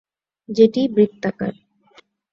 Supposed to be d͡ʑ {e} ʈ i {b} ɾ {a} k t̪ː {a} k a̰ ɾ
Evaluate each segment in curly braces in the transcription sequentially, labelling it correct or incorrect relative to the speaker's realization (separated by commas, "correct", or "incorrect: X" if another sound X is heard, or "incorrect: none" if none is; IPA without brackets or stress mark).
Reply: correct, correct, incorrect: i, correct